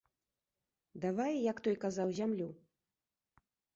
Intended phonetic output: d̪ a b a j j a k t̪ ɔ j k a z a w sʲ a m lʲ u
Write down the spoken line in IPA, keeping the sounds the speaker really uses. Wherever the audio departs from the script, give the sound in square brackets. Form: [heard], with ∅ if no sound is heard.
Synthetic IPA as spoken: d̪ a [v] a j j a k t̪ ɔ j k a z a w [zʲ] a m lʲ u